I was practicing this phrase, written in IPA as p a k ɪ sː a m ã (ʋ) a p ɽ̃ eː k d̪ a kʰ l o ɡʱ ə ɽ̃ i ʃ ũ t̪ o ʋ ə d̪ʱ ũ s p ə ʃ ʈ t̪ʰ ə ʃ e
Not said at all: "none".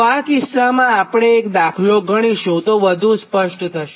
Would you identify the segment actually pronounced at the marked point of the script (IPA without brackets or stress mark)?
none